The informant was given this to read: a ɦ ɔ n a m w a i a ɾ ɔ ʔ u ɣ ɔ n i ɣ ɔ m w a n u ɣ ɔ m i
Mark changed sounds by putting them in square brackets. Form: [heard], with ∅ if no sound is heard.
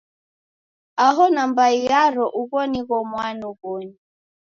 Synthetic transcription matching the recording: a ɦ ɔ n a m [b] a i a ɾ ɔ ʔ u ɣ ɔ n i ɣ ɔ m w a n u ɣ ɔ [ɲ] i

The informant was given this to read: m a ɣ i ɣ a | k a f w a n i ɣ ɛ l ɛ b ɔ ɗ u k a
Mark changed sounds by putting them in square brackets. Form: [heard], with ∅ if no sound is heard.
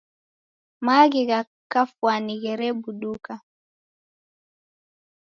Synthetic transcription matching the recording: m a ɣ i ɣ a | k a f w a n i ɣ ɛ [ɾ] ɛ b [u] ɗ u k a

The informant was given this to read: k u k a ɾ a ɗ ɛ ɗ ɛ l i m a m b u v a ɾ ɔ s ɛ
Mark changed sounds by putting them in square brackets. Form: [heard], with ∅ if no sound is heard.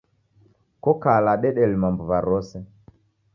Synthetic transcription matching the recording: k [ɔ] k a [l] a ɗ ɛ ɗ ɛ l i m a m b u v a ɾ ɔ s ɛ

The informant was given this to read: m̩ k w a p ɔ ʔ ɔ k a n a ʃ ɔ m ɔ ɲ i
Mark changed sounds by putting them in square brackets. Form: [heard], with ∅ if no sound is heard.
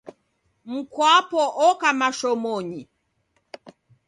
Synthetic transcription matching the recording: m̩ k w a p ɔ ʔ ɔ k a [m] a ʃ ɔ m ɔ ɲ i

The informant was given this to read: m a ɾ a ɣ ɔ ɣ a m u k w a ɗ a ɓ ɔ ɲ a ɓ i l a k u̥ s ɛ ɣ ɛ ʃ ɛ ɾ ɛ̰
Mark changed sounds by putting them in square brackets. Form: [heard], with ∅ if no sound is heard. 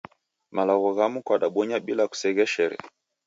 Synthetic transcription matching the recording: m a [l] a ɣ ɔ ɣ a m u k w a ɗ a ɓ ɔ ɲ a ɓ i l a k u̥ s ɛ ɣ ɛ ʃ ɛ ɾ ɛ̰

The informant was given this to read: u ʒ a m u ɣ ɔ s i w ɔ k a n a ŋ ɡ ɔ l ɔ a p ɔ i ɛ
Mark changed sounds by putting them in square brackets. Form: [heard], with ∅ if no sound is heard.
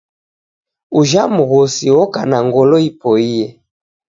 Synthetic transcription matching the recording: u ʒ a m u ɣ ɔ s i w ɔ k a n a ŋ ɡ ɔ l ɔ [i] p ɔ i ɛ

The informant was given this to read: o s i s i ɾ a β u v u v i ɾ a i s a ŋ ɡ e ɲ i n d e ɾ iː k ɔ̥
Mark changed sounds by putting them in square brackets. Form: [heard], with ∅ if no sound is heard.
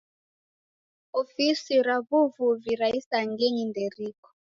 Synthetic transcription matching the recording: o [f] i s i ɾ a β u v u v i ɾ a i s a ŋ ɡ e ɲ i n d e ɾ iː k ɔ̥

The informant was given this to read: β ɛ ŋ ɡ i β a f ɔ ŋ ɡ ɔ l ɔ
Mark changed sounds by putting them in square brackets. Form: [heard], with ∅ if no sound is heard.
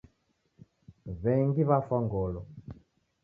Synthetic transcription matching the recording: β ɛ ŋ ɡ i β a f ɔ ŋ ɡ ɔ l ɔ

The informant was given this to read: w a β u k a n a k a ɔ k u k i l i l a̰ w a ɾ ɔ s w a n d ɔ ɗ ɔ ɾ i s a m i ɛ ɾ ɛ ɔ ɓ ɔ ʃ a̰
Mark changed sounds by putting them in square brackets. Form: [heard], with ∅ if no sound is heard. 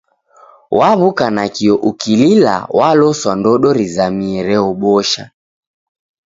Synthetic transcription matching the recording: w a β u k a n a k [i] ɔ [ʔ] u k i l i l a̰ w a [l] ɔ s w a n d ɔ ɗ ɔ ɾ i [z] a m i ɛ ɾ ɛ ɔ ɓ ɔ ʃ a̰

